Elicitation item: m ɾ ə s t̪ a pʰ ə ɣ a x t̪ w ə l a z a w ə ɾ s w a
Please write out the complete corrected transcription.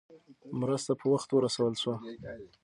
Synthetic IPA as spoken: m ɾ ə s t̪ a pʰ ə w a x t̪ w ə ɾ a s a w ə l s w a